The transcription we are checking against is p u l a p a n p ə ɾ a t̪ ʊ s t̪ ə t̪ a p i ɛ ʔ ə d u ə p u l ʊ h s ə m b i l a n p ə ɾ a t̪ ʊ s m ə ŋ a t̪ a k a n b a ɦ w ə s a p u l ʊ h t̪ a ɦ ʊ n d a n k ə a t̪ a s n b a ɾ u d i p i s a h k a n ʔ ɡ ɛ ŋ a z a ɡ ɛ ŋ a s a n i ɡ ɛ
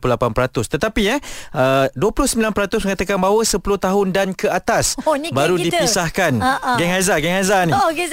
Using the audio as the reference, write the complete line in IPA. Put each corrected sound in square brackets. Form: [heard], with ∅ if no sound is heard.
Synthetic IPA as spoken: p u l a p a n p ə ɾ a t̪ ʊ s t̪ ə t̪ a p i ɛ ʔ ə d u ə p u l ʊ h s ə m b i l a n p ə ɾ a t̪ ʊ s m ə ŋ a t̪ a k a n b a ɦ w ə s [ə] p u l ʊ h t̪ a ɦ ʊ n d a n k ə a t̪ a s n b a ɾ u d i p i s a h k a n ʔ ɡ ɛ ŋ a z a ɡ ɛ ŋ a [z] a n i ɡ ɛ